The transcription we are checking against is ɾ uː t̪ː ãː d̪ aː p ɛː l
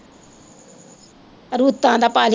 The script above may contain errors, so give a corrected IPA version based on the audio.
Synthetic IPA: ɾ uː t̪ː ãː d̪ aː p aː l